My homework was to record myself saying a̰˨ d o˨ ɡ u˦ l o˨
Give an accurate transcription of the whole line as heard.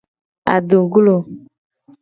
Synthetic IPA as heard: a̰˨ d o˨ ɡ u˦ l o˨